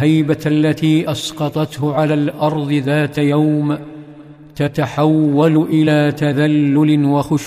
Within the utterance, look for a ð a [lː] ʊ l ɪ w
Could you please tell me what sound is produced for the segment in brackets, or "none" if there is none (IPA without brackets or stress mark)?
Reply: lː